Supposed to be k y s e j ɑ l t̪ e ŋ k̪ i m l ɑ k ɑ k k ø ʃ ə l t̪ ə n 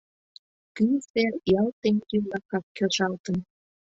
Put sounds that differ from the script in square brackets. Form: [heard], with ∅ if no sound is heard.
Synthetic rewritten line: k y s e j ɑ l t̪ e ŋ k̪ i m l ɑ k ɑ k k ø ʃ [ɑ] l t̪ ə n